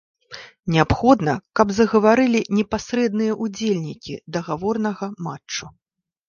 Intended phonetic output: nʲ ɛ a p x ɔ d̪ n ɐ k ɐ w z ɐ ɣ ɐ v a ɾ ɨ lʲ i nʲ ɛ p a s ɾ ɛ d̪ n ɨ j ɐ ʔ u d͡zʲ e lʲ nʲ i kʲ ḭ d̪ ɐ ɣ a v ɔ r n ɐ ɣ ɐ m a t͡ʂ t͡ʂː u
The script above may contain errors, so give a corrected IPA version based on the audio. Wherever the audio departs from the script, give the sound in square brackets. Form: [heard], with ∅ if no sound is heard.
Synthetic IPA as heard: nʲ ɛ a p x ɔ d̪ n ɐ k ɐ [b] z ɐ ɣ ɐ v a ɾ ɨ lʲ i nʲ ɛ p a s ɾ ɛ d̪ n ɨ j ɐ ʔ u d͡zʲ e lʲ nʲ i kʲ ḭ d̪ ɐ ɣ a v ɔ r n ɐ ɣ ɐ m a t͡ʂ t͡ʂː u